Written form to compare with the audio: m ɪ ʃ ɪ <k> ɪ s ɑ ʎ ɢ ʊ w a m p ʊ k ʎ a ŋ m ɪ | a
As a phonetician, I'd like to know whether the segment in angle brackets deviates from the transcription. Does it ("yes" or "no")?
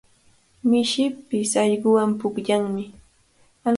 yes